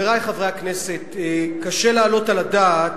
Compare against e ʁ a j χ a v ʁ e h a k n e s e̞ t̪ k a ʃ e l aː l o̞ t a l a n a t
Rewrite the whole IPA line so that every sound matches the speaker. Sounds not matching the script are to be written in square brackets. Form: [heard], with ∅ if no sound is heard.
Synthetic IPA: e ʁ a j χ a v ʁ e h a k n e s e̞ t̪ k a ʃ e l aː l o̞ t a l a [d] a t